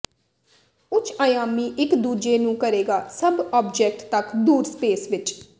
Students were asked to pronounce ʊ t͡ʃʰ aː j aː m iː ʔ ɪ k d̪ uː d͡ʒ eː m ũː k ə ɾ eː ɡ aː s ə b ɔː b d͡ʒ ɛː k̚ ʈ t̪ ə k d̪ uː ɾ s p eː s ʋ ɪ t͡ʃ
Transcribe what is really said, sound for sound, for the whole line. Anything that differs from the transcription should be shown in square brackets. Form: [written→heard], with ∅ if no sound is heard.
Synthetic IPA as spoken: ʊ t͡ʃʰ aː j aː m iː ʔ ɪ k d̪ uː d͡ʒ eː [m→n] ũː k ə ɾ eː ɡ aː s ə b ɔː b d͡ʒ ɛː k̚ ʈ t̪ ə k d̪ uː ɾ s p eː s ʋ ɪ t͡ʃ